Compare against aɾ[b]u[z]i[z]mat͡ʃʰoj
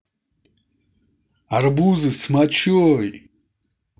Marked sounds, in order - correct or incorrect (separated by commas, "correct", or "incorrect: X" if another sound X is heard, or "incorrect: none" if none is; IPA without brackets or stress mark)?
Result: correct, correct, incorrect: s